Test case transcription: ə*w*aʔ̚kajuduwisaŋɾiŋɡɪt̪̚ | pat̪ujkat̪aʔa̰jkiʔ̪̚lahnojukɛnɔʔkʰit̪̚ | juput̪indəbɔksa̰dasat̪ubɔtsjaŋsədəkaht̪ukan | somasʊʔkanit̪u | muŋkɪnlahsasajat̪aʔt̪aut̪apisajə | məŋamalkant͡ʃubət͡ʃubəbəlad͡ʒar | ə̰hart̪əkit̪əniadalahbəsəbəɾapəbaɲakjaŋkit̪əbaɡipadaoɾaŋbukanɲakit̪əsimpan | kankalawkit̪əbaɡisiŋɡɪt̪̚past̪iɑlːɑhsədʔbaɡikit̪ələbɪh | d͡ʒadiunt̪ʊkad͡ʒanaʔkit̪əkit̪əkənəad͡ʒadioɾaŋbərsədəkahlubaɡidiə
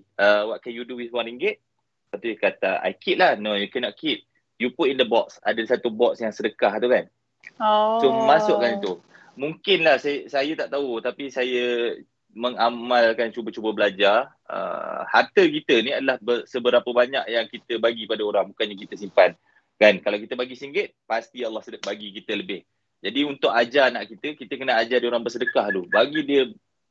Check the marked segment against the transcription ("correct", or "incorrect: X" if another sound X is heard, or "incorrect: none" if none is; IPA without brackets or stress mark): correct